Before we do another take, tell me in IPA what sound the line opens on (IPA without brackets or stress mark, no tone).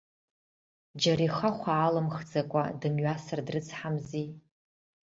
d͡ʒ